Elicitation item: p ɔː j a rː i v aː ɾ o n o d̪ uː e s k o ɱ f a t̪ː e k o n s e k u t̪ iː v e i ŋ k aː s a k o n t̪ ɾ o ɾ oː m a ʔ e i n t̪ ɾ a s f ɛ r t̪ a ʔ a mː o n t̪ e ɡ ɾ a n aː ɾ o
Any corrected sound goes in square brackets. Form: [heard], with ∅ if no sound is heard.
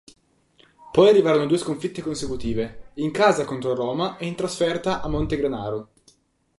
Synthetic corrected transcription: p [ɔ] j a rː i v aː ɾ o n o d̪ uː e s k o ɱ f [i] t̪ː e k o n s e k u t̪ iː v e i ŋ k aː [z] a k o n t̪ ɾ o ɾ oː m a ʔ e i n t̪ ɾ a s f ɛ r t̪ a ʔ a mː o n t̪ e ɡ ɾ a n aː ɾ o